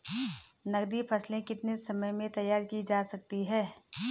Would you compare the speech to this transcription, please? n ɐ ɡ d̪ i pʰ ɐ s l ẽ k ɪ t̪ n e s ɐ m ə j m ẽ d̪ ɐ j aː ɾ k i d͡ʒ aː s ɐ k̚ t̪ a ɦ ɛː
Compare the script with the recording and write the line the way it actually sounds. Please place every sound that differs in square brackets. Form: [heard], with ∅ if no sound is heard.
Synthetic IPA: n ɐ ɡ d̪ i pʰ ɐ s l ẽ k ɪ t̪ n e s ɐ m ə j m ẽ [t̪] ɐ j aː ɾ k i d͡ʒ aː s ɐ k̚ t̪ [i] ɦ ɛː